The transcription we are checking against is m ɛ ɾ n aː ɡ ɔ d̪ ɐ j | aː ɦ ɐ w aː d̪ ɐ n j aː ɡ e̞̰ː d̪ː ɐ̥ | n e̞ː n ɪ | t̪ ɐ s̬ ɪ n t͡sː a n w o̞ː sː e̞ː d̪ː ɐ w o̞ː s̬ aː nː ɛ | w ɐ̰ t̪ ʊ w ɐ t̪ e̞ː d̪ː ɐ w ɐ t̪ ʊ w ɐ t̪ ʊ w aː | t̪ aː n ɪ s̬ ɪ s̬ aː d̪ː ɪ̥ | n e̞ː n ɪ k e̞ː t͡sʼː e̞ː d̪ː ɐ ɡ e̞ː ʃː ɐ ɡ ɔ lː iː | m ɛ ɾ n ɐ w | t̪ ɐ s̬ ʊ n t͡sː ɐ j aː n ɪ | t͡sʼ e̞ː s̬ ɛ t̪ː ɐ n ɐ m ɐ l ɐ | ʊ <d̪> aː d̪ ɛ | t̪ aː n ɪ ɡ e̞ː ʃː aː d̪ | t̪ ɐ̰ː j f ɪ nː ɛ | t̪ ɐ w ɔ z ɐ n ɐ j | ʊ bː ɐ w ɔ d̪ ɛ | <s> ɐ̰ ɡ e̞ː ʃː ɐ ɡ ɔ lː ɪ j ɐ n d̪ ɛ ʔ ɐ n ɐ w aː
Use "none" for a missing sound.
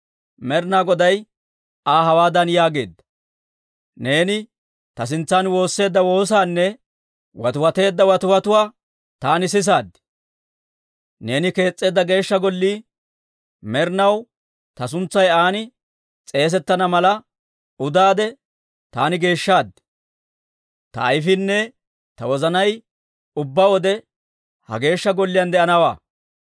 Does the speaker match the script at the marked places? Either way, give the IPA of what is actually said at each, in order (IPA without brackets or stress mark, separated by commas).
d̪, h